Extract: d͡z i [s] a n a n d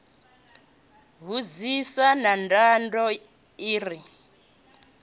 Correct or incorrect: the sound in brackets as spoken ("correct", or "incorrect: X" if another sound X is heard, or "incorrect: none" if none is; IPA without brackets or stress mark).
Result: correct